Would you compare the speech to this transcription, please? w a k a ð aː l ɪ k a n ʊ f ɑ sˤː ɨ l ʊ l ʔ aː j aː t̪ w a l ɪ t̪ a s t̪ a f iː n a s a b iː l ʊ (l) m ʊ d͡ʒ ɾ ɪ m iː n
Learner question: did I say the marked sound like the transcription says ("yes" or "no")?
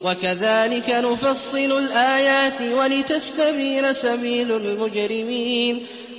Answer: yes